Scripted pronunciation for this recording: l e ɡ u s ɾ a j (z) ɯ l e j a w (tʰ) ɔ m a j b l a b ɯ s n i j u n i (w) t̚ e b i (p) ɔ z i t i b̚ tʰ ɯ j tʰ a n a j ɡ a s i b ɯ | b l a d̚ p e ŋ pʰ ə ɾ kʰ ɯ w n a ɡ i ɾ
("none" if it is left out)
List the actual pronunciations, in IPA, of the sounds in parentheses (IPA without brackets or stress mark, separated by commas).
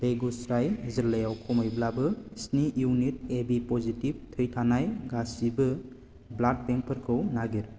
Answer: z, kʰ, none, p